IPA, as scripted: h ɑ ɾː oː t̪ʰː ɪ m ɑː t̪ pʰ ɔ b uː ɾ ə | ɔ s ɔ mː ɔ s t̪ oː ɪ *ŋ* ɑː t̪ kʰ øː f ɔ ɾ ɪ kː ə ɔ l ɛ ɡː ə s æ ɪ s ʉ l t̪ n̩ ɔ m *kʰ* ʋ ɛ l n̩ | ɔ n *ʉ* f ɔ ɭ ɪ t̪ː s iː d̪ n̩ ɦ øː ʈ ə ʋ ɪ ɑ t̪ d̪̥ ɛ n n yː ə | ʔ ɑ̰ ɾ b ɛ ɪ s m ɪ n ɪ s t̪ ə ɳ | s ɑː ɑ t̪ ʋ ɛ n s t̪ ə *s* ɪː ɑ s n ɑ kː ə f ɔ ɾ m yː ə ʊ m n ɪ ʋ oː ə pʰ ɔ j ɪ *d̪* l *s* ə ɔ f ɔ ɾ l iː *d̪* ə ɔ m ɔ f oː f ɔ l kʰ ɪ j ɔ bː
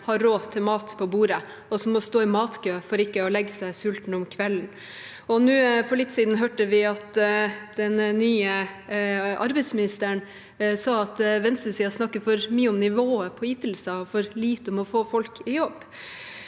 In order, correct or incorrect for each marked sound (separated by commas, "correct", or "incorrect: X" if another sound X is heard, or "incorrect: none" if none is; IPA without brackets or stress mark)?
incorrect: m, correct, incorrect: ʉː, correct, incorrect: t̪, correct, incorrect: t̪